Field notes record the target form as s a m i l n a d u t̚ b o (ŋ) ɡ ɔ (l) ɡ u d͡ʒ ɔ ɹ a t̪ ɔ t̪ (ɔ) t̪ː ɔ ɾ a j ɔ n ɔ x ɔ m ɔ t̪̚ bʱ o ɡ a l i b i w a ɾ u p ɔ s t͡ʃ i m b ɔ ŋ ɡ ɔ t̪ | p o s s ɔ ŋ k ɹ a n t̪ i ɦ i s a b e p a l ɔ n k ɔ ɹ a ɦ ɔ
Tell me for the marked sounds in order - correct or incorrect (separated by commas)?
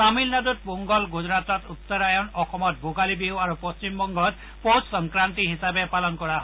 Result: correct, correct, incorrect